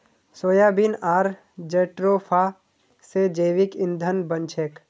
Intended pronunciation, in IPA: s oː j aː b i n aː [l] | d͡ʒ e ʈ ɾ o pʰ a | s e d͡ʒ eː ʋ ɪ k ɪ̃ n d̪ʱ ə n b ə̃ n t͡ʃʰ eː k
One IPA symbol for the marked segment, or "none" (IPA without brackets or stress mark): ɾ